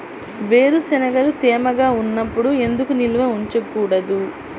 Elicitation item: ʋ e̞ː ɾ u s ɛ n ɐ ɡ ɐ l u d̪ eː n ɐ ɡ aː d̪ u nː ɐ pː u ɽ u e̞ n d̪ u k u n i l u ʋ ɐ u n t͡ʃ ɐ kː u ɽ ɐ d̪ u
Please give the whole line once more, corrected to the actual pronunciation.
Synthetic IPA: ʋ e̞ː ɾ u s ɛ n ɐ ɡ ɐ l u t̪ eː m ɐ ɡ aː u nː ɐ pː u ɽ u e̞ n d̪ u k u n i l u ʋ ɐ u ɲ t͡ʃ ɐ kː uː ɽ ɐ d̪ u

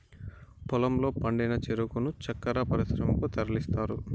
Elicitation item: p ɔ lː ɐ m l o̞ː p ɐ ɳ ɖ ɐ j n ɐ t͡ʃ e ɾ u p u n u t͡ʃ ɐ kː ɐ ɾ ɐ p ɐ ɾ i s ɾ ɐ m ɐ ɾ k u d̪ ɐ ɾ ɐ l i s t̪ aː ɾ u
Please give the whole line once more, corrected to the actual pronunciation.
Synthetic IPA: p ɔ l ɐ m l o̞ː p ɐ ɳ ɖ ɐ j n ɐ t͡ʃ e ɾ u k u n u t͡ʃ ɐ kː ɐ ɾ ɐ p ɐ ɾ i s ɾ ɐ m ɐ k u t̪ ɐ ɾ ɐ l i s t̪ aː ɾ u

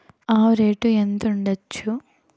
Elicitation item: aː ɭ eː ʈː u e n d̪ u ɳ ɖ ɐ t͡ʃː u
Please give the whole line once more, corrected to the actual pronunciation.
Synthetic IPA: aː ɾ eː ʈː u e n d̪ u ɳ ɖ ɐ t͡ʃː u

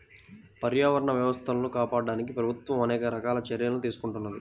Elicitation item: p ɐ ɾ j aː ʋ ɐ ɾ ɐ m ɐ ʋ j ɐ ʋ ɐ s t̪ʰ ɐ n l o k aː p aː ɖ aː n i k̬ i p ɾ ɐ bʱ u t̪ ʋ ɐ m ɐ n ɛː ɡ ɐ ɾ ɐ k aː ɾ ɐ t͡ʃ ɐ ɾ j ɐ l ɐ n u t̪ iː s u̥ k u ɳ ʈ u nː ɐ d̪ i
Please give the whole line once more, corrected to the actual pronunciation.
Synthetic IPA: p ɐ ɾ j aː ʋ ɐ ɾ ɐ ɳ ɐ ʋ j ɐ ʋ ɐ s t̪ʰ ɐ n l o k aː p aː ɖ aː n i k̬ i p ɾ ɐ bʱ u t̪ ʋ ɐ m ɐ n ɛː k ɐ ɾ ɐ k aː l ɐ t͡ʃ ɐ ɾ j ɐ l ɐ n u t̪ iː s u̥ k u ɳ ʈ u nː ɐ d̪ i

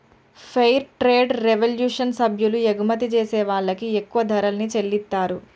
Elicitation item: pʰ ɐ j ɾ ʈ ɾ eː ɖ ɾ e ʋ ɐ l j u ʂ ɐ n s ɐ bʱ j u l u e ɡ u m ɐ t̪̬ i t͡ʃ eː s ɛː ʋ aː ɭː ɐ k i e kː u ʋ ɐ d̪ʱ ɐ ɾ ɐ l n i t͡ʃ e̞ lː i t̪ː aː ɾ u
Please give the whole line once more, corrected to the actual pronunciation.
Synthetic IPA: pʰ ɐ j ɾ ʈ ɾ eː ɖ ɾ e ʋ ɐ l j uː ʂ ɐ n s ɐ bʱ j u l u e ɡ u m ɐ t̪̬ i t͡ʃ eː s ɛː ʋ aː ɭː ɐ k i e kː u ʋ ɐ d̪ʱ ɐ ɾ ɐ l n i t͡ʃ e̞ lː i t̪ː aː ɾ u

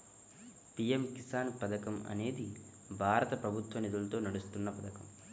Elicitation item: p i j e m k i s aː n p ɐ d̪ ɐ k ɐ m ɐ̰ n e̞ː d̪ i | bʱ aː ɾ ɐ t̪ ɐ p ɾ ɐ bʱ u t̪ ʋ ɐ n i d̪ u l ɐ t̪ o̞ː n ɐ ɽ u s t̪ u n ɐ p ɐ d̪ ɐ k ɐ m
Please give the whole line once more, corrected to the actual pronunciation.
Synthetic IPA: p i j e m k i s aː n p ɐ d̪ ɐ k ɐ m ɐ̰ n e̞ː d̪ i | bʱ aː ɾ ɐ t̪ ɐ p ɾ ɐ bʱ u t̪ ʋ ɐ n i d̪ u l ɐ t̪ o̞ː n ɐ ɽ u s t̪ u nː ɐ p ɐ d̪ ɐ k ɐ m

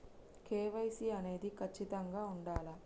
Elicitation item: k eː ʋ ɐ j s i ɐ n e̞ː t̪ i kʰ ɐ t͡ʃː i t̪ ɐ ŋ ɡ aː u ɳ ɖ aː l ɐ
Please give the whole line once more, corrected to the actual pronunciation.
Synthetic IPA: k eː ʋ ɐ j s i ɐ n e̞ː d̪ i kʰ ɐ t͡ʃː i t̪ ɐ ŋ ɡ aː u ɳ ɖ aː l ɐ

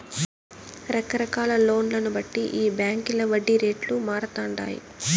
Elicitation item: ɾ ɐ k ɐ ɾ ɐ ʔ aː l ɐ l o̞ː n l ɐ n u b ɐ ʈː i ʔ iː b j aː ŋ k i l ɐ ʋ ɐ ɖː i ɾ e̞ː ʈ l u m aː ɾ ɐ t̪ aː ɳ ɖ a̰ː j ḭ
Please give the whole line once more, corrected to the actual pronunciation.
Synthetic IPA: ɾ ɐ k ɐ ɾ ɐ k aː l ɐ l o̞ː n l ɐ n u b ɐ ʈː i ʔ iː b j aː ŋ k i l ɐ ʋ ɐ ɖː i ɾ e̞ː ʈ l u m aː ɾ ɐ t̪ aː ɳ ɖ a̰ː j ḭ

